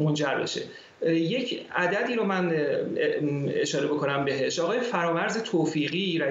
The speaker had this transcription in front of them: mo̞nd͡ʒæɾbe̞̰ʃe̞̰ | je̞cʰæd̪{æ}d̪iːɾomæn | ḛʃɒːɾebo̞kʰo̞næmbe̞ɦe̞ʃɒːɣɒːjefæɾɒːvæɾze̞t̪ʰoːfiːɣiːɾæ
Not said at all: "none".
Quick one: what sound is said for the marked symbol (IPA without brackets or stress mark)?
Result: æ